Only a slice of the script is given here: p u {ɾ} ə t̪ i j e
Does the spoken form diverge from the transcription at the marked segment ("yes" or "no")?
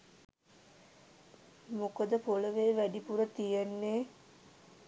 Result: no